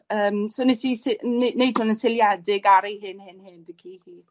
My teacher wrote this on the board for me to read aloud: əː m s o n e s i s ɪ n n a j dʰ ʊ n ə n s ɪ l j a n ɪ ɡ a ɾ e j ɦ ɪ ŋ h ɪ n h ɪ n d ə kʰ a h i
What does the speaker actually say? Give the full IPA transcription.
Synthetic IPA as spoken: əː m s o n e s i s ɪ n n e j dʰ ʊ n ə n s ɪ l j a d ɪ ɡ a ɾ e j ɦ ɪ n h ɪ n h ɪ n d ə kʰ i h i